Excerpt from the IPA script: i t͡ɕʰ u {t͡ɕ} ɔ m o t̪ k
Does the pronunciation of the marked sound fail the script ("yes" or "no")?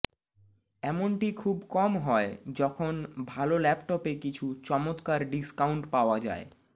no